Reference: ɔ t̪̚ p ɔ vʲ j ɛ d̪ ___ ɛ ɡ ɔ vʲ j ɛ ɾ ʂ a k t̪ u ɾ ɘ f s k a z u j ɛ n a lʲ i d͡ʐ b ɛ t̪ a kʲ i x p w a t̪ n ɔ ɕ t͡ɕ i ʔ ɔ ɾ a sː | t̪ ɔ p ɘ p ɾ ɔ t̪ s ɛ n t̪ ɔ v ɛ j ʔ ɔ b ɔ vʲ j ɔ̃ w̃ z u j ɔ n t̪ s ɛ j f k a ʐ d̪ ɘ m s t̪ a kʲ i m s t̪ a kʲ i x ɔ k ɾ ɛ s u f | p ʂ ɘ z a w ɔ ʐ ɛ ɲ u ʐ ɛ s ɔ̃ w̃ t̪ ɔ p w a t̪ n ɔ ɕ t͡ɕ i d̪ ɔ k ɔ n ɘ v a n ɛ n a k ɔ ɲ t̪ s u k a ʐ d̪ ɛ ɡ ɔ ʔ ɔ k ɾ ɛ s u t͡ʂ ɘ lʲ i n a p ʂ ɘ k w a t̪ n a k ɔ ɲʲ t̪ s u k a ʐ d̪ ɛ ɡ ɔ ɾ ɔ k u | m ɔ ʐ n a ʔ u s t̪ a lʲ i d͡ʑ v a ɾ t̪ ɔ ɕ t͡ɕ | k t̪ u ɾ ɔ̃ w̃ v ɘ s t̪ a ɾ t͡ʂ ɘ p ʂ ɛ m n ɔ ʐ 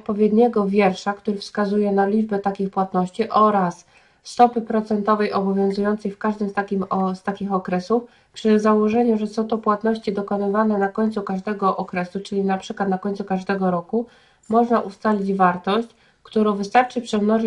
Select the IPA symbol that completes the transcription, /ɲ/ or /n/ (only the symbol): ɲ